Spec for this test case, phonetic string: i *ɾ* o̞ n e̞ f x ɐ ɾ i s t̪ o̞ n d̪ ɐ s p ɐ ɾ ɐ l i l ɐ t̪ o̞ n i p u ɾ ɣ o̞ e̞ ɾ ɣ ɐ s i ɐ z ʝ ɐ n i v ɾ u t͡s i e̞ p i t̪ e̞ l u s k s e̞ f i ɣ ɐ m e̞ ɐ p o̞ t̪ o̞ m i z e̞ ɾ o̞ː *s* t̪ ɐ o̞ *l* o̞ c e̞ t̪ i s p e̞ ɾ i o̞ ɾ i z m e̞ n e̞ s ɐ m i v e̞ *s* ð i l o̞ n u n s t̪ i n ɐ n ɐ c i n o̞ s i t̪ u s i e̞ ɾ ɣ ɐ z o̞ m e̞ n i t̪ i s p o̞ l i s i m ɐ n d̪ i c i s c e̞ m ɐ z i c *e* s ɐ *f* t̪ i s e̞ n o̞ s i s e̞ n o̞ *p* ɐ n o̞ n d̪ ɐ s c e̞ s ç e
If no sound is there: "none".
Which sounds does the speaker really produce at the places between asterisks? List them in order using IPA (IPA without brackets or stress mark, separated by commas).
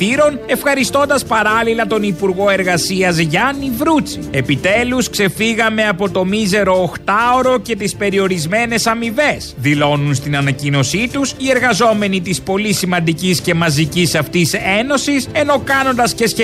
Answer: ɾ, x, ɾ, s, i, f, k